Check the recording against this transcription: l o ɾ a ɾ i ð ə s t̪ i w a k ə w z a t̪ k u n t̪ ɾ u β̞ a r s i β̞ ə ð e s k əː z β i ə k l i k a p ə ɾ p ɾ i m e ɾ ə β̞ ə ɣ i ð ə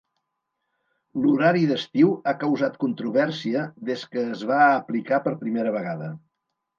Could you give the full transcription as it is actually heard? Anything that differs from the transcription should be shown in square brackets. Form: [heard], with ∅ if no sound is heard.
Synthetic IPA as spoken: l [u] ɾ a ɾ i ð ə s t̪ i w a k ə w z a t̪ k u n t̪ ɾ u β̞ [ɛ] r s i [∅] ə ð e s k əː z β [a] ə [p] l i k a p ə ɾ p ɾ i m e ɾ ə β̞ ə ɣ [a] ð ə